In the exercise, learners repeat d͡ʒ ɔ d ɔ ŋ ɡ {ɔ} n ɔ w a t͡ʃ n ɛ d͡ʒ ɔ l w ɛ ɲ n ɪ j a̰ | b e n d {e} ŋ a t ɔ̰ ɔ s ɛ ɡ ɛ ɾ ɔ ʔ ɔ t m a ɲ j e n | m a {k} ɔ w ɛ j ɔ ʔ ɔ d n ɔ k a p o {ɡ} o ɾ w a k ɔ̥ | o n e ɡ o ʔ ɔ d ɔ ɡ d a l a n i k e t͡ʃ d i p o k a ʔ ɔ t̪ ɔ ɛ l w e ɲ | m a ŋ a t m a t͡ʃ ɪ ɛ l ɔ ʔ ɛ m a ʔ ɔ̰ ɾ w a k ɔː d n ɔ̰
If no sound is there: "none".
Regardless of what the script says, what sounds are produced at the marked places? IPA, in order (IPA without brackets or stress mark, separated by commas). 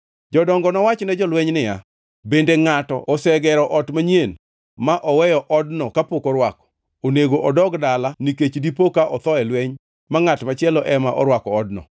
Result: ɔ, e, ʔ, k